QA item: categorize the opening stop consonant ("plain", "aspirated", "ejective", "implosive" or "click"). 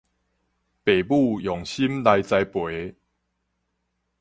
plain